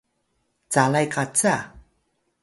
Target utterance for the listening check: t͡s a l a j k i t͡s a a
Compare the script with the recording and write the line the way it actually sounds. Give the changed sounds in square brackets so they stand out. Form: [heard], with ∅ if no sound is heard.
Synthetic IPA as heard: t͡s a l a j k [a] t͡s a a